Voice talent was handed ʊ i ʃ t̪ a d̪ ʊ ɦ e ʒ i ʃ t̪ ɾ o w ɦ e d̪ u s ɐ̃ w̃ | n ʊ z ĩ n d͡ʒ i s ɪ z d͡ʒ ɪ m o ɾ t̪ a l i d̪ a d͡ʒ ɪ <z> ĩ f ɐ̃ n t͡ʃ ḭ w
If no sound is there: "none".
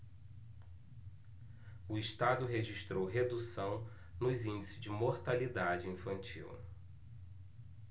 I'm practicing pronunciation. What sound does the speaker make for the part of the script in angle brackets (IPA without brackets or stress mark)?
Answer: none